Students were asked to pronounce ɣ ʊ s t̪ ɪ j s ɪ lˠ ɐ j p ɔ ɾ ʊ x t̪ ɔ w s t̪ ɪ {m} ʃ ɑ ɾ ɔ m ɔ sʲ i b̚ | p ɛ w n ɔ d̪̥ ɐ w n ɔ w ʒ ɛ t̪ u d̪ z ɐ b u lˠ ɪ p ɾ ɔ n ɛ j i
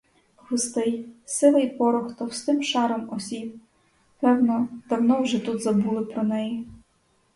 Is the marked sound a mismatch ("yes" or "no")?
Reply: no